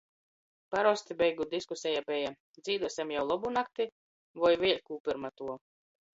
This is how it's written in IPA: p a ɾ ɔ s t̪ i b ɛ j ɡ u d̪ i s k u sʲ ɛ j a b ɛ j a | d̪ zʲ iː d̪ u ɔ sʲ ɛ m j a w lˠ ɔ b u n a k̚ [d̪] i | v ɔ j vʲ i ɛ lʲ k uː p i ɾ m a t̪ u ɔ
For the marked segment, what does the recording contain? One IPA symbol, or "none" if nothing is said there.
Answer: t̪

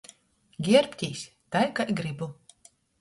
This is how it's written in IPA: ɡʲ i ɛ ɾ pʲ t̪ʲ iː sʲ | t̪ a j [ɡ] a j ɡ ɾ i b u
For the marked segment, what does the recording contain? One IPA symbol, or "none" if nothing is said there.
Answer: k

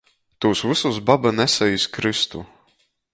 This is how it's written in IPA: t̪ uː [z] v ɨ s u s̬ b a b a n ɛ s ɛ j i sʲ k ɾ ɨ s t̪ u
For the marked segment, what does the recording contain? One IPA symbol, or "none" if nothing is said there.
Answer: s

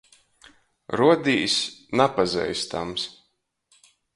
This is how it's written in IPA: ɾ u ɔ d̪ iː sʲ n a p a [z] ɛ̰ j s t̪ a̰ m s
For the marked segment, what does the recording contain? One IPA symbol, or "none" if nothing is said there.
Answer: z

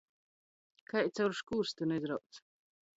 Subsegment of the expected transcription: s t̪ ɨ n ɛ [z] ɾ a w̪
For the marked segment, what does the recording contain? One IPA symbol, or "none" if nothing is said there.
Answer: z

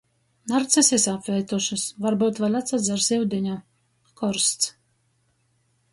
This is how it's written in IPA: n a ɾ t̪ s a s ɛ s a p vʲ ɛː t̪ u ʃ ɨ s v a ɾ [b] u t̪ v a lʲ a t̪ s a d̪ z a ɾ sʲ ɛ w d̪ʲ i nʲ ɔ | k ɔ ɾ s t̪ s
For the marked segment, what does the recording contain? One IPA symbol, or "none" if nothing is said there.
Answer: b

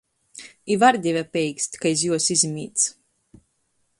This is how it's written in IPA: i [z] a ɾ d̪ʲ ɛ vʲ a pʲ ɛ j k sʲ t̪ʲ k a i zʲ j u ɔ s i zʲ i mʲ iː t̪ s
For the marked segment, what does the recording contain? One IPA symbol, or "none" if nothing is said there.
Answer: v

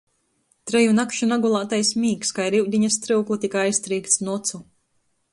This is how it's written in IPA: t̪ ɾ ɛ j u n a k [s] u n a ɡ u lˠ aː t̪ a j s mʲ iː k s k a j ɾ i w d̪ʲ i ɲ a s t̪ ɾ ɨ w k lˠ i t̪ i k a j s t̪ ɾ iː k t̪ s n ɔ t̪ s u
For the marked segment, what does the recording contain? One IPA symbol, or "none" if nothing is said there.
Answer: ʃ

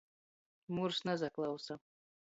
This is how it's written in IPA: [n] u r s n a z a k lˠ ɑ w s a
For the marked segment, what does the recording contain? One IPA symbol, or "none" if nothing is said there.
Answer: m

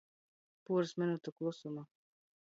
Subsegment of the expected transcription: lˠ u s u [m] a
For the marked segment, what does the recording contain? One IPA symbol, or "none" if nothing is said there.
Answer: m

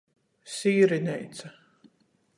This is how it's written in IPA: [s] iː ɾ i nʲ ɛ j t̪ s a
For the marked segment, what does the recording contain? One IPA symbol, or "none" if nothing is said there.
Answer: s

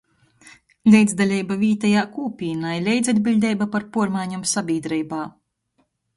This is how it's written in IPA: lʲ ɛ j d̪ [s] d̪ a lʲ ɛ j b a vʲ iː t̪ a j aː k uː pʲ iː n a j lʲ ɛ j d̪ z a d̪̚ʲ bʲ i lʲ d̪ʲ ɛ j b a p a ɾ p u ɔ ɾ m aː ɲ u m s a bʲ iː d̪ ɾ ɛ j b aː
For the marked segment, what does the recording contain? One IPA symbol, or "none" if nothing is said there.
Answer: z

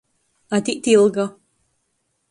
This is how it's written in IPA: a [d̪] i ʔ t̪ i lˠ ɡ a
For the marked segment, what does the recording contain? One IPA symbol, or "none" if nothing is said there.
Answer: t̪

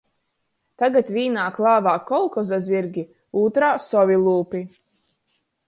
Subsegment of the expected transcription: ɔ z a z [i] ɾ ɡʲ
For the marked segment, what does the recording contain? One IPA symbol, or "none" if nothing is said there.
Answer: i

